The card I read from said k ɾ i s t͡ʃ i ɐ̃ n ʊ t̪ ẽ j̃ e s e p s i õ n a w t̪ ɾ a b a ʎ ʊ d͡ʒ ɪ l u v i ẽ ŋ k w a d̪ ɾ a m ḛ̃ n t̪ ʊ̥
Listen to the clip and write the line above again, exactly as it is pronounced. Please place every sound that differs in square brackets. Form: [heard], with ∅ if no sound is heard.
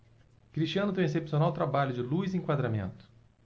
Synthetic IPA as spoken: k ɾ i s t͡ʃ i ɐ̃ n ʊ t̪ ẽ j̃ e s e p s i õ n a w t̪ ɾ a b a ʎ ʊ d͡ʒ ɪ l u [z] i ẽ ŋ k w a d̪ ɾ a m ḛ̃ n t̪ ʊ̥